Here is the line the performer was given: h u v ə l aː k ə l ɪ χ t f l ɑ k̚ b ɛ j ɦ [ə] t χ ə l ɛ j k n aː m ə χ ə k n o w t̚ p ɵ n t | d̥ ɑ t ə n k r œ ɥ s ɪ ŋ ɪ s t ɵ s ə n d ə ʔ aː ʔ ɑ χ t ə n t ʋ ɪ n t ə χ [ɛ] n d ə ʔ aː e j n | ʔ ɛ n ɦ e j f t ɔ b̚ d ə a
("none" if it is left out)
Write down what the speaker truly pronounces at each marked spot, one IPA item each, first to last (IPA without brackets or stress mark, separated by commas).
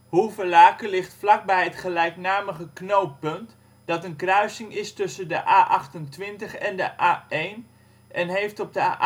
ə, ɛ